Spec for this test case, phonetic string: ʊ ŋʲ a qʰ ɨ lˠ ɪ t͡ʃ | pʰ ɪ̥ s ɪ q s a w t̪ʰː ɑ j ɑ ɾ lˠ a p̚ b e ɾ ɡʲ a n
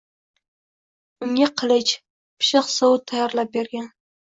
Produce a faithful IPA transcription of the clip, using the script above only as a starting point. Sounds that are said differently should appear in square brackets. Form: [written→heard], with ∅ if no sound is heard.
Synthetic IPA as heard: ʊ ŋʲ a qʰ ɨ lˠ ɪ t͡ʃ | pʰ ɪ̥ [s→ʃ] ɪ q s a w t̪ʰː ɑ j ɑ ɾ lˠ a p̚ b e ɾ ɡʲ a n